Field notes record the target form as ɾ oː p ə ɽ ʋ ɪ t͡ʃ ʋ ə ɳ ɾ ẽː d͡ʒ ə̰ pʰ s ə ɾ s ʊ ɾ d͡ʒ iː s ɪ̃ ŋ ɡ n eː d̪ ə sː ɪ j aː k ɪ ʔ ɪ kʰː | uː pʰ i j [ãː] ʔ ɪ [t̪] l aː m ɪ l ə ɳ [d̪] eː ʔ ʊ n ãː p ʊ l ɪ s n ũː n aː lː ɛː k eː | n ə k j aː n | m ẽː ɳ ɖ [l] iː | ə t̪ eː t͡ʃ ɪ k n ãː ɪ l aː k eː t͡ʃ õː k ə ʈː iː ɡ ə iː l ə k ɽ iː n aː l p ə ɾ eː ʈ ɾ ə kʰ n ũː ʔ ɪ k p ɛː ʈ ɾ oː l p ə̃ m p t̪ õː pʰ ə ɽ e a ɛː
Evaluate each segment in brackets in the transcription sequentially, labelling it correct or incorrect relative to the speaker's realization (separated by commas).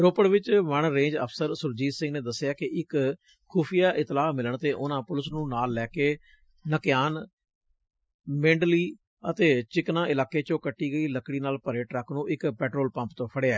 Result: incorrect, correct, incorrect, correct